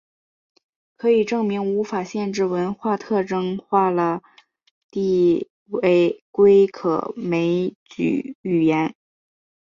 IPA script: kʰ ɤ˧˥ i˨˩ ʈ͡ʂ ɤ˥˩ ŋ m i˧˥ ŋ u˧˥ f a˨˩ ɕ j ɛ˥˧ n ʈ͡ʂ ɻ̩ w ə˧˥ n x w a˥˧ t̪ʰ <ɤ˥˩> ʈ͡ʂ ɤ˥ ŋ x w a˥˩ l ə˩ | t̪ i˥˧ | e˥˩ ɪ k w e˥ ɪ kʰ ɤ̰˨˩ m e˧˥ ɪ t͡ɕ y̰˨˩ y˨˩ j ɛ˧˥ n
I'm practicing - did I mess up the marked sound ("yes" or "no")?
no